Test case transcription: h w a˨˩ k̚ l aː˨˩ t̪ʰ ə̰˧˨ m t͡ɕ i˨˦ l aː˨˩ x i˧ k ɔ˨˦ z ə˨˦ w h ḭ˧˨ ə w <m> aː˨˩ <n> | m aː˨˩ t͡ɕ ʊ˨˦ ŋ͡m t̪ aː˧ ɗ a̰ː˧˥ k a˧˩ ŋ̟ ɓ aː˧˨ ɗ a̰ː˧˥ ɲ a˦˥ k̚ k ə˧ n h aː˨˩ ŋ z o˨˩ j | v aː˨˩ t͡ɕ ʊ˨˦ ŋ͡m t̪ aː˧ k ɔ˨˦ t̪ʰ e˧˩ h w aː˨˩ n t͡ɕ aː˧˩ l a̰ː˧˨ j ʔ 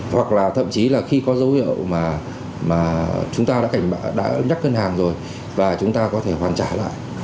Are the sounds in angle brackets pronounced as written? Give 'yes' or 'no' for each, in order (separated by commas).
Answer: yes, no